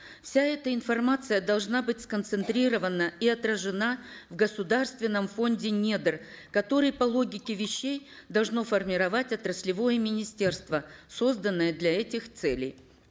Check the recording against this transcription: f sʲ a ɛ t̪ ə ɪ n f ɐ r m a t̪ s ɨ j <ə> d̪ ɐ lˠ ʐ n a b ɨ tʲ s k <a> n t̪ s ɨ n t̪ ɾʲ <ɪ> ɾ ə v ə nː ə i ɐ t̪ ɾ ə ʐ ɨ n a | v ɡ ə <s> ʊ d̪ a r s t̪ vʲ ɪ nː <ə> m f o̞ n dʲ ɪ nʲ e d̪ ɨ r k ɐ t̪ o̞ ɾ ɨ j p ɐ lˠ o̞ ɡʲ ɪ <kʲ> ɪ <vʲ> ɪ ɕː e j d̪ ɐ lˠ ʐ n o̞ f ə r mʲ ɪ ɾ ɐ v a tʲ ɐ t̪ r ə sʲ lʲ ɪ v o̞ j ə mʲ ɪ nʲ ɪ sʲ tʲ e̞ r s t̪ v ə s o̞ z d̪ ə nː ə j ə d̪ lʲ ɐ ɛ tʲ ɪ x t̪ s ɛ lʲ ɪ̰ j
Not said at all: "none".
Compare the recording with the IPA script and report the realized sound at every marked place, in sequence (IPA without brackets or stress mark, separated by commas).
ə, ə, i, s, ə, kʲ, vʲ